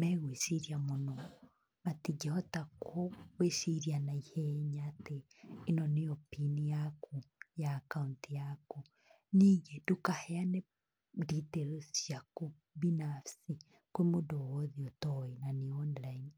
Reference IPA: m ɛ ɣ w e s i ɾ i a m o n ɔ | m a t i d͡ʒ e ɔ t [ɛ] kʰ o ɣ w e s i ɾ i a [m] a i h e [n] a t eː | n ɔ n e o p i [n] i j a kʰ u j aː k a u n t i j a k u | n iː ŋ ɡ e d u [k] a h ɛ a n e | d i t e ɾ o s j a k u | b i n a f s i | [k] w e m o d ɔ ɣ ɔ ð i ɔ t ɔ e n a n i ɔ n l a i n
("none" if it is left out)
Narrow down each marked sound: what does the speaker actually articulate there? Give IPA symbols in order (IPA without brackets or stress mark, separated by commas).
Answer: a, n, ɲ, n, k, k